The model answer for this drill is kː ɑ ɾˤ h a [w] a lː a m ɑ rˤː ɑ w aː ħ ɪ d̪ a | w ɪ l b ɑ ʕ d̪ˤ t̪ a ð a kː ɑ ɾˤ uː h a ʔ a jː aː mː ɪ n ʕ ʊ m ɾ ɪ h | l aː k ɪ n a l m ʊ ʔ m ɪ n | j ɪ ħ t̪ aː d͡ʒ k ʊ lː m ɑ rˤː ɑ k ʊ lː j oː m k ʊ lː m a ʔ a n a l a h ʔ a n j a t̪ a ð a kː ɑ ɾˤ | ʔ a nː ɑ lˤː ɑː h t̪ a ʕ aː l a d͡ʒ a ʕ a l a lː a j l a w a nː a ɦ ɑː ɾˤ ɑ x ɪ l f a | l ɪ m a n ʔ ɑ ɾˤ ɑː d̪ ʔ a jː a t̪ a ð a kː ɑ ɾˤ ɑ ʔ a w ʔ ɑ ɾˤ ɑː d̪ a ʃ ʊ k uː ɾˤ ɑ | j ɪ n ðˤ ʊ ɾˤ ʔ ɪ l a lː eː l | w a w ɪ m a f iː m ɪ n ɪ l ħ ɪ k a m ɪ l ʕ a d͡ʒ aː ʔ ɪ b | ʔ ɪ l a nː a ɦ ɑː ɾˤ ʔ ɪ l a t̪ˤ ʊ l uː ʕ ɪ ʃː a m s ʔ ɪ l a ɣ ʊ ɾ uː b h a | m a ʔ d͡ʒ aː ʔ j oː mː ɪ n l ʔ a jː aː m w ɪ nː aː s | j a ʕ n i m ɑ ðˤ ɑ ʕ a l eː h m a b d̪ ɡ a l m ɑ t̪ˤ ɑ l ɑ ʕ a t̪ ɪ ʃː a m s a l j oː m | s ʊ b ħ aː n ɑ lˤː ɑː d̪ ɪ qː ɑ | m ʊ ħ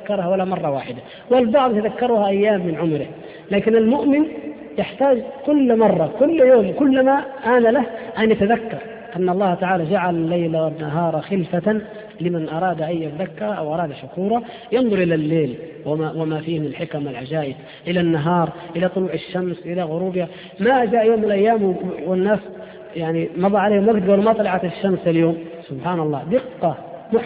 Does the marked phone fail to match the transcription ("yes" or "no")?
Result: no